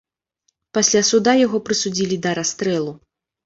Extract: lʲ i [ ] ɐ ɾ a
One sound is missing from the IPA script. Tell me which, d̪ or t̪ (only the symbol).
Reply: d̪